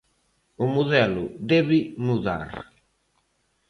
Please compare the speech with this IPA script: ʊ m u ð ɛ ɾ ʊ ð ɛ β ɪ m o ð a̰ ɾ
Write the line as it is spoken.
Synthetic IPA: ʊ m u ð ɛ l ʊ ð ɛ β ɪ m u ð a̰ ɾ